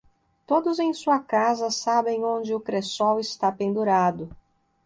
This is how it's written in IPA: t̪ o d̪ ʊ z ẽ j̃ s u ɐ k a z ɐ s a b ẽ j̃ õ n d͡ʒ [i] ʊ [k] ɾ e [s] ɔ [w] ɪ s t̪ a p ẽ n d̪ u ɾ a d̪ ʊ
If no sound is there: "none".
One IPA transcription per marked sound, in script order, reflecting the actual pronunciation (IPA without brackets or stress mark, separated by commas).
ɪ, k, s, w